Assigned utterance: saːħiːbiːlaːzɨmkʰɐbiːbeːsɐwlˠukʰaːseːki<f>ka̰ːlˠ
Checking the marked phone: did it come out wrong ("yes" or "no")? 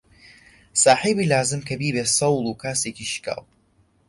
yes